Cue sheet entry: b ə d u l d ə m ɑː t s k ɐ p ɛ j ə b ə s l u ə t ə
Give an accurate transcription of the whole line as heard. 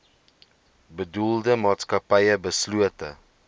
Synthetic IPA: b ə d u l d ə m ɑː t s k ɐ p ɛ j ə b ə s l u ə t ə